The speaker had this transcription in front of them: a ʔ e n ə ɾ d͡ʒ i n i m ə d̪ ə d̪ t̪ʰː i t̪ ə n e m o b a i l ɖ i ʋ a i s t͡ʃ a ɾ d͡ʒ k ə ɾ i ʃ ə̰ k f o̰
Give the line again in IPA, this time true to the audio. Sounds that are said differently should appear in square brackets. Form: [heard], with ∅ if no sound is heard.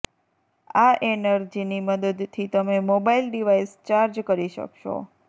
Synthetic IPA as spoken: a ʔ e n ə ɾ d͡ʒ i n i m ə d̪ ə d̪ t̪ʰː i t̪ ə [m] e m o b a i l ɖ i ʋ a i s t͡ʃ a ɾ d͡ʒ k ə ɾ i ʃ ə̰ k [ʃ] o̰